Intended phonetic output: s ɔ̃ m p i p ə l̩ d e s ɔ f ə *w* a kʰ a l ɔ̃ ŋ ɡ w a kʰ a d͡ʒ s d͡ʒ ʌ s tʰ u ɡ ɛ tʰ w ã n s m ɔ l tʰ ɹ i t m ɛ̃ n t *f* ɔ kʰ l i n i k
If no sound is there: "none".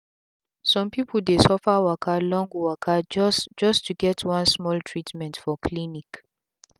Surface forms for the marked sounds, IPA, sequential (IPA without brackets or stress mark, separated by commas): w, f